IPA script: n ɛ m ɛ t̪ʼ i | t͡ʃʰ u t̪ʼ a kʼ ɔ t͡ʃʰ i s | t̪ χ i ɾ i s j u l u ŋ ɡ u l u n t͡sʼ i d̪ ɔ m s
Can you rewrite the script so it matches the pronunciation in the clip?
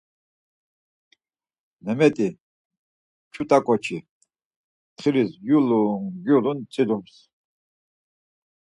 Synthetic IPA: n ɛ m ɛ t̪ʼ i | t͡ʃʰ u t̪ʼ a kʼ ɔ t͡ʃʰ i | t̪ χ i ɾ i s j u l u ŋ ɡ u l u n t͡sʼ i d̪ u m s